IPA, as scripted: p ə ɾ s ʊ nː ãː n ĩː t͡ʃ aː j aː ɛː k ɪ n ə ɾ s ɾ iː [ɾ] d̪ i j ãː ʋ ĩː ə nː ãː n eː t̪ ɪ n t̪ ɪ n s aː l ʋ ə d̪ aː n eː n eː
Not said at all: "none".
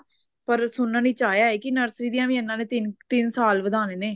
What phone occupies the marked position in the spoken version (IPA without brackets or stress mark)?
none